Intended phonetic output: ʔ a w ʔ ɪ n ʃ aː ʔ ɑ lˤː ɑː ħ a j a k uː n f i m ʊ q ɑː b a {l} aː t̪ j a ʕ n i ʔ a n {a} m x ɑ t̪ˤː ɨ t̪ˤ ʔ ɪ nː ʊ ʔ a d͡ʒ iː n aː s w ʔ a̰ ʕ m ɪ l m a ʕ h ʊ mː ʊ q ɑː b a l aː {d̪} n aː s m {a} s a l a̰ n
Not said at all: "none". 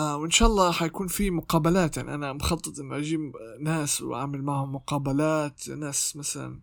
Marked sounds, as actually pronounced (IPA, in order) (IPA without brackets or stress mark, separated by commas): l, a, t̪, a